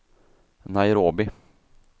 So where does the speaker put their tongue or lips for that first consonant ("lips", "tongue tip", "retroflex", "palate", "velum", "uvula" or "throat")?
tongue tip